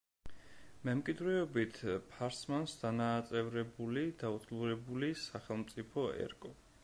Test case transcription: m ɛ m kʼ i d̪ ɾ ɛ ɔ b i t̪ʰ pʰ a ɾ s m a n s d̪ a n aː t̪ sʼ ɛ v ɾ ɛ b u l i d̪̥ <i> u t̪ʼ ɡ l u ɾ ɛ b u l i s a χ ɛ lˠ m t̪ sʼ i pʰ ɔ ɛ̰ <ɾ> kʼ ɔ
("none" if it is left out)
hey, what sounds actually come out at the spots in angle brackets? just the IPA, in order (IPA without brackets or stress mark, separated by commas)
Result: a, ɾ